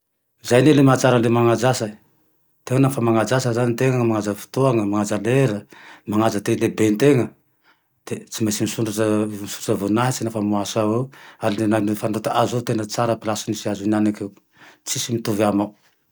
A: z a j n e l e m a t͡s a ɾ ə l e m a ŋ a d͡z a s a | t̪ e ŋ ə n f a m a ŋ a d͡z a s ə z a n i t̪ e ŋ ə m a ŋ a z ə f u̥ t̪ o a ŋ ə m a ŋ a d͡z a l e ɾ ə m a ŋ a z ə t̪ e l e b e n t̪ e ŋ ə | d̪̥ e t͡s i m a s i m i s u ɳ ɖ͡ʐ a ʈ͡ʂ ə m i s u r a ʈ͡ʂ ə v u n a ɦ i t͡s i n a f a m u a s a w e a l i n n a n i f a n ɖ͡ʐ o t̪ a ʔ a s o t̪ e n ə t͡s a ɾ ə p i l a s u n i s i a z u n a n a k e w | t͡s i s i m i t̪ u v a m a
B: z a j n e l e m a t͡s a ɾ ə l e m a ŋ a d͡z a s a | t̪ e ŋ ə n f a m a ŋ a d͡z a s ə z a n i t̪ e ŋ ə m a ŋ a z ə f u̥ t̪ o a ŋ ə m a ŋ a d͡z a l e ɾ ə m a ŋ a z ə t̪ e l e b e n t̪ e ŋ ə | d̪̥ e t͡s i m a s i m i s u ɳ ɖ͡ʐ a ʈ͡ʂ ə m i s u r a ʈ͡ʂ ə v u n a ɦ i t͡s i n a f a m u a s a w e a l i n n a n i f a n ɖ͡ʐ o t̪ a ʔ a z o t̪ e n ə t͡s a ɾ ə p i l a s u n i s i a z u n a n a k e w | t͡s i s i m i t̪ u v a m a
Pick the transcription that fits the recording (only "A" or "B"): B